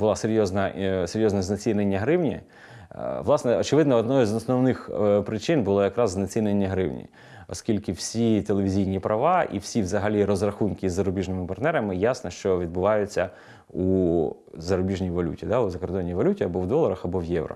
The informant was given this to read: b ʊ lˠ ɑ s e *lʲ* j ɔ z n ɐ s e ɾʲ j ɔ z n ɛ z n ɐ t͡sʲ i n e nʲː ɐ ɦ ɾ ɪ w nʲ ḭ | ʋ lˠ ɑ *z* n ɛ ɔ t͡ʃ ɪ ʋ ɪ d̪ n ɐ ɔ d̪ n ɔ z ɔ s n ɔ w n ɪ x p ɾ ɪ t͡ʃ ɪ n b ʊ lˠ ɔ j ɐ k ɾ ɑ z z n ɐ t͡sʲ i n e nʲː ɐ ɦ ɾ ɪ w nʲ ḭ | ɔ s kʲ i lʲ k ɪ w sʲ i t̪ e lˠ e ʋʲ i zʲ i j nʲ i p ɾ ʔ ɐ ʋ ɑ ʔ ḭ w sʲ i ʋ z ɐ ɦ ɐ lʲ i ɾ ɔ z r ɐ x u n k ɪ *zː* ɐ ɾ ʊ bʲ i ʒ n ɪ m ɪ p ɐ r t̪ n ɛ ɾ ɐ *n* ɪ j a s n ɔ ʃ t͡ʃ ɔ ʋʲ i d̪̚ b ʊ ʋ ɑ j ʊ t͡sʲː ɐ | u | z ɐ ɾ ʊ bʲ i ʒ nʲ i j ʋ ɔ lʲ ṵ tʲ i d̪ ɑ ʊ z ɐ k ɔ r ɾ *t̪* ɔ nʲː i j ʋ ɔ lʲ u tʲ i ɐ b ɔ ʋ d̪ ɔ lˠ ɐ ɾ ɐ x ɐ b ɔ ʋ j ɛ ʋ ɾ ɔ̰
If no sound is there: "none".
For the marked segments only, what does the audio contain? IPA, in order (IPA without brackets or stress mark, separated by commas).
ɾʲ, s, zː, m, d̪